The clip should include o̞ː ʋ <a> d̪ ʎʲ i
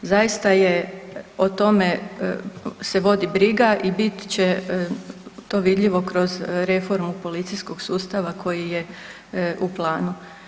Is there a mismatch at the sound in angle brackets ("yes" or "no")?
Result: yes